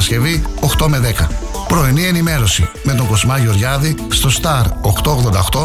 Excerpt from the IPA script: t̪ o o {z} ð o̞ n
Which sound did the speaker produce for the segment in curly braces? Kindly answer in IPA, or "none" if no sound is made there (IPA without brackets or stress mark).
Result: ɣ